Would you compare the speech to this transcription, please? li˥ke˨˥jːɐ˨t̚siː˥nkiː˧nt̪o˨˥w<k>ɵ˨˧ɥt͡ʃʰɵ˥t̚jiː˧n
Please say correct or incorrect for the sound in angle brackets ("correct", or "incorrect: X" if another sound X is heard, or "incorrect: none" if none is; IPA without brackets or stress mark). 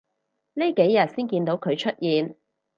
incorrect: kʰ